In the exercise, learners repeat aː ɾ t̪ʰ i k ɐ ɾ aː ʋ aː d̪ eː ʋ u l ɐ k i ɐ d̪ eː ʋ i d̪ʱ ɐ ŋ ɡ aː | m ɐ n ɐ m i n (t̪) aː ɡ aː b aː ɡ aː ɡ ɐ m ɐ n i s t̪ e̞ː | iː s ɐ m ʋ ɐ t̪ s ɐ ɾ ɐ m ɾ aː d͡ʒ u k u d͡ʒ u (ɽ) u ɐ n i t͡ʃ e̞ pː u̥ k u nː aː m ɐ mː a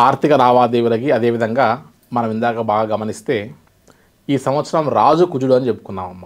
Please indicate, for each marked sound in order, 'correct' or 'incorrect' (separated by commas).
incorrect, correct